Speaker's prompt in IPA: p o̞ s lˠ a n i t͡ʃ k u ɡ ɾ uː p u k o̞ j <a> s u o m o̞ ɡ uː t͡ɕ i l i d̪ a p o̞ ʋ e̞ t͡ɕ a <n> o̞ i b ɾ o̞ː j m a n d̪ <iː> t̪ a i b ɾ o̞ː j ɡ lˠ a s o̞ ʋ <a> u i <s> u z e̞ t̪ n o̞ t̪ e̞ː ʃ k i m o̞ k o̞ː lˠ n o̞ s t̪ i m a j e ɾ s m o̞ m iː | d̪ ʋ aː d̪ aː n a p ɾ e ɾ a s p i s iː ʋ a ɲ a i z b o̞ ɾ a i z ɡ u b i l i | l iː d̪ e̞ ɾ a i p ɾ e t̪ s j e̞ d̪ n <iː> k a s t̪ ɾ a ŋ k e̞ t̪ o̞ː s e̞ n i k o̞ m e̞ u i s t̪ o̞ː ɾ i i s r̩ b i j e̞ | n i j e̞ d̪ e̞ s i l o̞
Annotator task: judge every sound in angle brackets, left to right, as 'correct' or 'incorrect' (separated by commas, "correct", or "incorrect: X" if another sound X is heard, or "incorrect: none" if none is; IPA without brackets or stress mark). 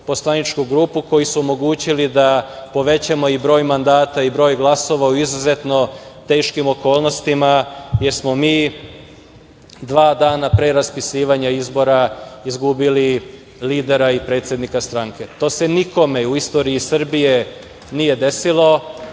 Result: incorrect: i, incorrect: m, incorrect: aː, correct, incorrect: z, incorrect: i